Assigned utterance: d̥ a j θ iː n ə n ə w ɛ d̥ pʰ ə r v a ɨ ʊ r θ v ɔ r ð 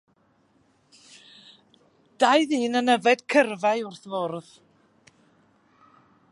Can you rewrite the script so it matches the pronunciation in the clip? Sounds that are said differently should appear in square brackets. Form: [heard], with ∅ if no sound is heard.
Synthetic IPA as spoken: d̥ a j [ð] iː n ə n ə [v] ɛ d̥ [kʰ] ə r v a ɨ ʊ r θ v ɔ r ð